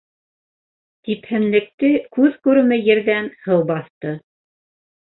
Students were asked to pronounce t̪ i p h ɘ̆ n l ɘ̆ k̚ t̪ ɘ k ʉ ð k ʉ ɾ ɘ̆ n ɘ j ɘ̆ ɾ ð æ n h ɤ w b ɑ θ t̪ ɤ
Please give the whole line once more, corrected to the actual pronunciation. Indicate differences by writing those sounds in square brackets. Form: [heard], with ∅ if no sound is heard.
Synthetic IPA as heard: t̪ i p h ɘ̆ n l ɘ̆ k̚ t̪ ɘ k ʉ ð k ʉ ɾ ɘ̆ [m] ɘ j ɘ̆ ɾ ð æ n h ɤ w b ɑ θ t̪ ɤ